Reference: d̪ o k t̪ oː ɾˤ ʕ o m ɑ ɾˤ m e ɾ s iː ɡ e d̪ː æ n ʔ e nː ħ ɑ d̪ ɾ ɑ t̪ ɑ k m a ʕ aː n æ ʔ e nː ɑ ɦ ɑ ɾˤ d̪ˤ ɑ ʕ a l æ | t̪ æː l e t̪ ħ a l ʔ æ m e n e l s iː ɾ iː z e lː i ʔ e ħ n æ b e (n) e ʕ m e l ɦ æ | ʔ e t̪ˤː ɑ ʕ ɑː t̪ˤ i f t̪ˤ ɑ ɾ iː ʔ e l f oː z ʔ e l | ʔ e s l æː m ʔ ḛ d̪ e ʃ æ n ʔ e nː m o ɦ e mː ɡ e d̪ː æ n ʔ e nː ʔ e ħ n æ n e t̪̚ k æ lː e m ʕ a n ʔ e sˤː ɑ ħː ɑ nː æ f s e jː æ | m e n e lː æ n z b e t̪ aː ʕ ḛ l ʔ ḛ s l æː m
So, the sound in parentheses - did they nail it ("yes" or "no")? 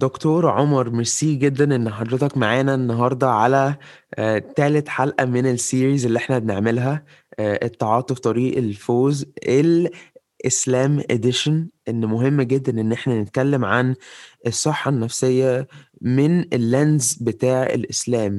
yes